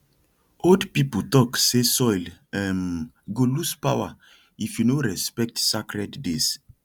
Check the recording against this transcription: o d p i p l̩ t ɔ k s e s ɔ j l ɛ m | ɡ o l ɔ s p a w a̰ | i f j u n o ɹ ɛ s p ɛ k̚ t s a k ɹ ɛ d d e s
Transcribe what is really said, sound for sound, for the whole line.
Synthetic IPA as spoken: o d p i p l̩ t ɔ k s e s ɔ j l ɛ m | ɡ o l u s p a w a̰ | i f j u n o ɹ ɛ s p ɛ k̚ t s a k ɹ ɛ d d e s